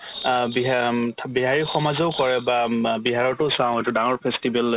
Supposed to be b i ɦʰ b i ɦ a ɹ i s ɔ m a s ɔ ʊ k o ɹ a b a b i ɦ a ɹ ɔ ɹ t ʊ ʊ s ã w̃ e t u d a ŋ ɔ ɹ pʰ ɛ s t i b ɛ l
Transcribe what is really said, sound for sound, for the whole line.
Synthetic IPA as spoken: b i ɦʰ b i ɦ a ɹ i x ɔ m a z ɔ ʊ k ɔ ɹ ɛ b a b i ɦ a ɹ ɔ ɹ t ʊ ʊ s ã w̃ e t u d a ŋ ɔ ɹ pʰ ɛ s t i b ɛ l

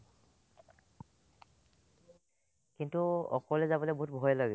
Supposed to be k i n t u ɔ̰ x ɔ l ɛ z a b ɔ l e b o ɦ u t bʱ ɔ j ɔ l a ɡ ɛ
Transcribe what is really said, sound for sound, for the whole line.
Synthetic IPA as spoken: k i n t u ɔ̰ k ɔ l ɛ z a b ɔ l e b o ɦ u t bʱ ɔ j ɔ l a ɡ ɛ

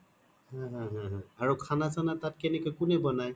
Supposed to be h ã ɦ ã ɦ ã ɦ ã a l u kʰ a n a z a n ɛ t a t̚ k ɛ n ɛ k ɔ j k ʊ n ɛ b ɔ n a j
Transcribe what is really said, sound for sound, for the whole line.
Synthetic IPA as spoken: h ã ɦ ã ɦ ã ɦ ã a ɹ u kʰ a n a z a n a t a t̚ k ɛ n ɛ k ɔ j k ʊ n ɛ b ɔ n a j

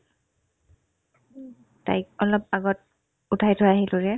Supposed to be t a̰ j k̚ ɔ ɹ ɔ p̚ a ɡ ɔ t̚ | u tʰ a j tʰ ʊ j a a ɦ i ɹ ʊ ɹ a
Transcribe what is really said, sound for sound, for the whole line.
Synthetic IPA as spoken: t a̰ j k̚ ɔ l ɔ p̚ a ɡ ɔ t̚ | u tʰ a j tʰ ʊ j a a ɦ i l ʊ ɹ ɛ

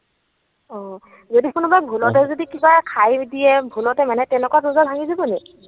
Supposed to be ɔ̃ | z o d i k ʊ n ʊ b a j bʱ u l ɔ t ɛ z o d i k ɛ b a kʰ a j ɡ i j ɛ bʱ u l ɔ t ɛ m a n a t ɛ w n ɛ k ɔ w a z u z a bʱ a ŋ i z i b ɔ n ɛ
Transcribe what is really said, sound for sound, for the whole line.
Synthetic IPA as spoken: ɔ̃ | z o d i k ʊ n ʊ b a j bʱ u l ɔ t ɛ z o d i k i b a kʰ a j d i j ɛ bʱ u l ɔ t ɛ m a n ɛ t ɛ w n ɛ k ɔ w a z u z a bʱ a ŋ i z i b ɔ n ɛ

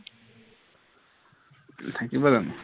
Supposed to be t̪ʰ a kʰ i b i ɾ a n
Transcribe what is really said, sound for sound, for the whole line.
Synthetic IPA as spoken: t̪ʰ a k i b a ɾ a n

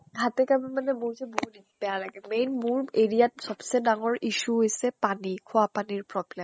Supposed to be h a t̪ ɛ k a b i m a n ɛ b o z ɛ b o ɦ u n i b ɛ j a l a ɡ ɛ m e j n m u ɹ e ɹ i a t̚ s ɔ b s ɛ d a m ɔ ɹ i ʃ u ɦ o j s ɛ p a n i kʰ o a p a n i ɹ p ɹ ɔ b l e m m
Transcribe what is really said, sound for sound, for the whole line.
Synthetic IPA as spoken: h a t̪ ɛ k a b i m a n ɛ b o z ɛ b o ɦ u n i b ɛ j a l a ɡ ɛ m e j n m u ɹ e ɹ i a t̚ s ɔ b s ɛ d a ŋ ɔ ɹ i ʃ u ɦ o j s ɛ p a n i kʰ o a p a n i ɹ p ɹ ɔ b l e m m

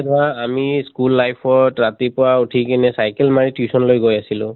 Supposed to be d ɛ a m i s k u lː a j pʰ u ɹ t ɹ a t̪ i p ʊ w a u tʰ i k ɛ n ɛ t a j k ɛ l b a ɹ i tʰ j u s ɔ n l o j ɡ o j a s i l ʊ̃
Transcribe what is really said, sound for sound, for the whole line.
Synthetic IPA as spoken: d a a m i s k u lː a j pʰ ɔ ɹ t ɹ a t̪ i p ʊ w a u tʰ i k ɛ n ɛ s a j k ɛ l m a ɹ i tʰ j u s ɔ n l o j ɡ o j a s i l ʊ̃

